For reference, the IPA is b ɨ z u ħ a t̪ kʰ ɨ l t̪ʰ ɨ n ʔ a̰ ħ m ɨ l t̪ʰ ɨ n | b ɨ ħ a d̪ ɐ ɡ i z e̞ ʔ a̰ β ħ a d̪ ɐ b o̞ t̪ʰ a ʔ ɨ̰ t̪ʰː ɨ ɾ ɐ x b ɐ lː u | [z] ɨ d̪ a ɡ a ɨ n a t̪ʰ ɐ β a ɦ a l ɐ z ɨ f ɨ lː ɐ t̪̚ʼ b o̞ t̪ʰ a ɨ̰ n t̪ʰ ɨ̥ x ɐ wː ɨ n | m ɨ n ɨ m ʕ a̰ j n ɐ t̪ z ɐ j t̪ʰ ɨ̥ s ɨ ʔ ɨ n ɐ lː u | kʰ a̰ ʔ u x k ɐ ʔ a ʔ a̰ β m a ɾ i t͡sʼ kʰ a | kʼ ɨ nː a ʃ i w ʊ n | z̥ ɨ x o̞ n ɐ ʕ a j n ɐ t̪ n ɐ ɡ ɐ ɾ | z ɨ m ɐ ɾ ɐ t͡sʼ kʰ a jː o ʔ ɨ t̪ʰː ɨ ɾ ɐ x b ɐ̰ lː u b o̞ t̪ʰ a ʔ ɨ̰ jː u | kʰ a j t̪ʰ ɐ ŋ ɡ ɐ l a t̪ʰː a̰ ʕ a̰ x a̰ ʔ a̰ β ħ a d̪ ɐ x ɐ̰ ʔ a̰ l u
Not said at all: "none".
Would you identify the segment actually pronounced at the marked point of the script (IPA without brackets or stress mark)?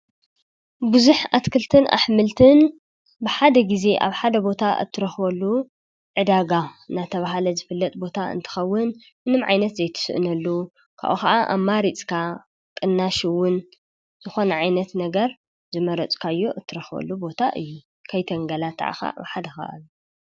ʕ